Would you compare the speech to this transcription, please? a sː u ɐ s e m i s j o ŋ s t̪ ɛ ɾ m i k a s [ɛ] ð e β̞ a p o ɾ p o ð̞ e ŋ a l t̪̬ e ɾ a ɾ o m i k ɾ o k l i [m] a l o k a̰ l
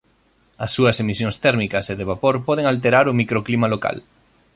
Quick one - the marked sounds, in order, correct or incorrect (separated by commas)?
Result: incorrect, correct